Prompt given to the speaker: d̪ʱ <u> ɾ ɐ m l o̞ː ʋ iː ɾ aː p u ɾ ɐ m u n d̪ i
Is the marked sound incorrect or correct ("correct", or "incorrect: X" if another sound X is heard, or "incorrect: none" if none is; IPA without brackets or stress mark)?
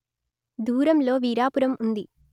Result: incorrect: uː